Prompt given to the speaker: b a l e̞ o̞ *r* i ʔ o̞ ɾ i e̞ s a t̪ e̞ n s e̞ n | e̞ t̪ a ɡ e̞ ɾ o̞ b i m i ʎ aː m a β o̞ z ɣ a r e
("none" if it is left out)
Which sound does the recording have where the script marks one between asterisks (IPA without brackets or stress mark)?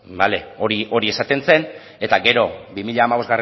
ɾ